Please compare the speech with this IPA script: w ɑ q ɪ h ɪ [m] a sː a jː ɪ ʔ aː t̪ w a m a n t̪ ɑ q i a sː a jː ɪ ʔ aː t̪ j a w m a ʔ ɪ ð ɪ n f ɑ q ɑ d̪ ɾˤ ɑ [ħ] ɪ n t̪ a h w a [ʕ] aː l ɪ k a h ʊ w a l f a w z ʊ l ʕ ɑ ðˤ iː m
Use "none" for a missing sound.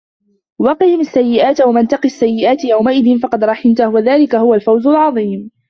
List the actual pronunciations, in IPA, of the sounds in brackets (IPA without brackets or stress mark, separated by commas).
m, ħ, ð